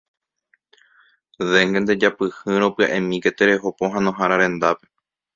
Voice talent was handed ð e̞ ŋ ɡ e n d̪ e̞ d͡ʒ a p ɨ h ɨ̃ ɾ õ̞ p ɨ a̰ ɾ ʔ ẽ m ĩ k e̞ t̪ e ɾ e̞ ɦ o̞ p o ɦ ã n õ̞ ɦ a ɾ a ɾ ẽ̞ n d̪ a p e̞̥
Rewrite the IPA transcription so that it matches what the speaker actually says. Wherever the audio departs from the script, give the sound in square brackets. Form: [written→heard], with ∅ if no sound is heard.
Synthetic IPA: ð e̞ ŋ ɡ e n d̪ e̞ d͡ʒ a p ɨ h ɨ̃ ɾ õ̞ p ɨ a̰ [ɾ→∅] ʔ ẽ m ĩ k e̞ t̪ e ɾ e̞ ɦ o̞ p o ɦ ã n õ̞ ɦ a ɾ a ɾ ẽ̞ n d̪ a p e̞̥

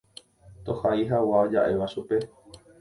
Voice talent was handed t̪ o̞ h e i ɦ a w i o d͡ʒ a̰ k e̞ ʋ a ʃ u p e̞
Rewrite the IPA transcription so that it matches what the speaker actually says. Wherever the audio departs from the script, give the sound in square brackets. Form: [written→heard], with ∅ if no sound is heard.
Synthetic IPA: t̪ o̞ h [e→a] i ɦ a w [i→a] o d͡ʒ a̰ [k→ʔ] e̞ ʋ a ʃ u p e̞

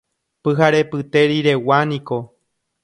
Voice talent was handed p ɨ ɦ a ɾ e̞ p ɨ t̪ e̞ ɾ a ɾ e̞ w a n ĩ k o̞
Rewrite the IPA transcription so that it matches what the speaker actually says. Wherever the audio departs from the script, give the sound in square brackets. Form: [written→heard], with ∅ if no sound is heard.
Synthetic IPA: p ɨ ɦ a ɾ e̞ p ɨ t̪ e̞ ɾ [a→i] ɾ e̞ w a n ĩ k o̞

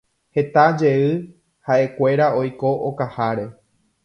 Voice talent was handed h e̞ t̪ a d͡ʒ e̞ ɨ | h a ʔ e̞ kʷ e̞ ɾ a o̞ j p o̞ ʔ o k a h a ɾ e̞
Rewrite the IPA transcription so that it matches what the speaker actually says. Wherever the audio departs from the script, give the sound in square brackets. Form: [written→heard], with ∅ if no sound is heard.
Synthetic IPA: h e̞ t̪ a d͡ʒ e̞ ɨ | h a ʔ e̞ kʷ e̞ ɾ a o̞ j [p→k] o̞ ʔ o k a h a ɾ e̞

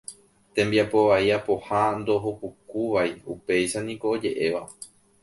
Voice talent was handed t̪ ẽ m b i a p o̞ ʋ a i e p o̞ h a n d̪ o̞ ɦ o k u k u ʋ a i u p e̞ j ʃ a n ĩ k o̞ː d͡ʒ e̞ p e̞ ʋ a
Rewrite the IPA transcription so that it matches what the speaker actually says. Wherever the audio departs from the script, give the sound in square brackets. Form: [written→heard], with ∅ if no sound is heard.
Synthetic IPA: t̪ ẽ m b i a p o̞ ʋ a i [e→a] p o̞ h a n d̪ o̞ ɦ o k u k u ʋ a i u p e̞ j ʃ a n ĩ k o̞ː d͡ʒ e̞ [p→ʔ] e̞ ʋ a

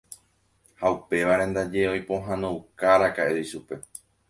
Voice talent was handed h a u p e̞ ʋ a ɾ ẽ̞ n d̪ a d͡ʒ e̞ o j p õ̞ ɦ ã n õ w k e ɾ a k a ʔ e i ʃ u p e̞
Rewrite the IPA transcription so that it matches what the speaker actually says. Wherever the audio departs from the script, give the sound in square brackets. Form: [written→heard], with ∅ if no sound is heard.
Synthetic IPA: h a u p e̞ ʋ a ɾ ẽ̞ n d̪ a d͡ʒ e̞ o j p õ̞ ɦ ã n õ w k [e→a] ɾ a k a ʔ e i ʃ u p e̞

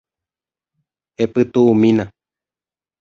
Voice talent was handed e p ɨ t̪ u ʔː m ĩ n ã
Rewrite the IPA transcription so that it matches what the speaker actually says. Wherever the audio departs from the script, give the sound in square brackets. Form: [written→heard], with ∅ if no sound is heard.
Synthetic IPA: e p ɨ t̪ u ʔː m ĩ n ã

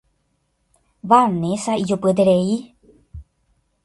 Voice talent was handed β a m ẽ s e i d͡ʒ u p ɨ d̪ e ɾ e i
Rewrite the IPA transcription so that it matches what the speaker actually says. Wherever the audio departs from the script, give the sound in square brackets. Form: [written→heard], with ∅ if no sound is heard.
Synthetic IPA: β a [m→n] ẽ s [e→a] i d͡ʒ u p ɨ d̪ e ɾ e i

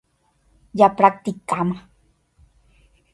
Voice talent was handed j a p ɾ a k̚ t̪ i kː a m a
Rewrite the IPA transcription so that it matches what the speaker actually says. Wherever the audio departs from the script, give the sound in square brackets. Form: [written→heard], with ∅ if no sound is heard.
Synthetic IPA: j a p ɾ a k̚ t̪ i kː a m a

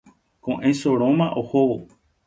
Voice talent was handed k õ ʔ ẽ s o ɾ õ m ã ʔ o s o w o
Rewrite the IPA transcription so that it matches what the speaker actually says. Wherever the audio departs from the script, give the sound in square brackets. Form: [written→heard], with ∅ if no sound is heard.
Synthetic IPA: k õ ʔ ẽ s o ɾ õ m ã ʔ o [s→h] o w o

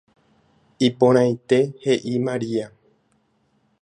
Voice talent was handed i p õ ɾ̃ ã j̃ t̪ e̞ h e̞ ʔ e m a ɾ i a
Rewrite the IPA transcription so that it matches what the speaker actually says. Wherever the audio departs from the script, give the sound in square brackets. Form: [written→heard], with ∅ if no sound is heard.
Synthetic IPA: i p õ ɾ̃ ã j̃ t̪ e̞ h e̞ ʔ [e→i] m a ɾ i a

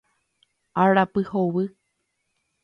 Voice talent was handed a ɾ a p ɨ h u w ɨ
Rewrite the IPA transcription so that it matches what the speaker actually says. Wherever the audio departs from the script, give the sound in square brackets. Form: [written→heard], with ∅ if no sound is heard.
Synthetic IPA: a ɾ a p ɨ h [u→o] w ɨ

